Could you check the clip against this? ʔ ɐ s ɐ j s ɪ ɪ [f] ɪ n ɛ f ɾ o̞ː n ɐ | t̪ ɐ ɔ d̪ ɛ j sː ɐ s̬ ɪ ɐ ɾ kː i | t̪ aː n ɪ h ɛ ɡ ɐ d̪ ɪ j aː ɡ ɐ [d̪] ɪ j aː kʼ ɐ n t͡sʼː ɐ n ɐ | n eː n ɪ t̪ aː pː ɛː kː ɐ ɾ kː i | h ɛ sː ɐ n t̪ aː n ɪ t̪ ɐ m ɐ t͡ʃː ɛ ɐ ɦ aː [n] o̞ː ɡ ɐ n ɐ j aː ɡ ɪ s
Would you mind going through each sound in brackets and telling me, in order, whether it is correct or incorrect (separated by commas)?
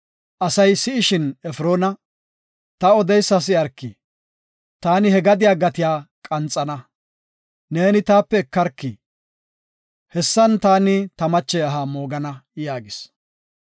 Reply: incorrect, incorrect, incorrect